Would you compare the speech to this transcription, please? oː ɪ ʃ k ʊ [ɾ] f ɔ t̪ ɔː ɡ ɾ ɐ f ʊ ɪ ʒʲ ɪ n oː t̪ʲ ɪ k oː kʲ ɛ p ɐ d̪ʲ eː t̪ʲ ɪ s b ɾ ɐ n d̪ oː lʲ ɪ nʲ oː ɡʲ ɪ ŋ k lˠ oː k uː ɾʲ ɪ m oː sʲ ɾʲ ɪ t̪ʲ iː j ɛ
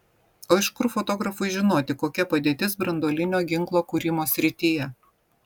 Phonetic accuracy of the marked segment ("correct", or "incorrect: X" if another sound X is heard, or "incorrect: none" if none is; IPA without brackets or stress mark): correct